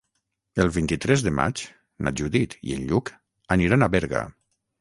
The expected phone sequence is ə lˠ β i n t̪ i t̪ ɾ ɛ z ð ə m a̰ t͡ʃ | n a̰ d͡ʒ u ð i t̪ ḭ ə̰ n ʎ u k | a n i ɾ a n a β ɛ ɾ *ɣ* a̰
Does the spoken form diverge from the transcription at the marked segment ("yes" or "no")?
no